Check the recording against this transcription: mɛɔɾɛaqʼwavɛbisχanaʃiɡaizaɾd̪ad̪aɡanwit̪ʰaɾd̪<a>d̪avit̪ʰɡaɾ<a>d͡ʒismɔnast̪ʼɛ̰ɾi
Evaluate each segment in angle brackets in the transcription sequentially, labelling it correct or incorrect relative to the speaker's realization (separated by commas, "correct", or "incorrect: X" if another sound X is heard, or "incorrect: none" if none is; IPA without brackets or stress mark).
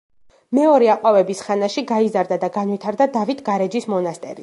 correct, incorrect: ɛ